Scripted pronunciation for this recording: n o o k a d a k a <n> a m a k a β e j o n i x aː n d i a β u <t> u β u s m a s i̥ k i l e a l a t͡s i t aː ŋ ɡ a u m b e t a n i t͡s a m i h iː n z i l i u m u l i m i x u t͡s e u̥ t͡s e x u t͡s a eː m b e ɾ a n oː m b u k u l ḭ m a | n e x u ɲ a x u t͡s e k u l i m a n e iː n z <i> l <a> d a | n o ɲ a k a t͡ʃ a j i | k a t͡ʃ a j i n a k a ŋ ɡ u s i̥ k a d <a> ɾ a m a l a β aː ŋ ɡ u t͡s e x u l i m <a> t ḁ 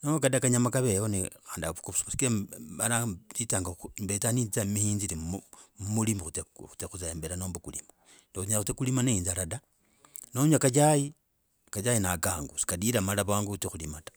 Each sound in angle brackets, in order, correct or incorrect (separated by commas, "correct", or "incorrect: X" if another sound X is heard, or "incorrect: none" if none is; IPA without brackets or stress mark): incorrect: ɲ, incorrect: k, incorrect: a, correct, incorrect: i, correct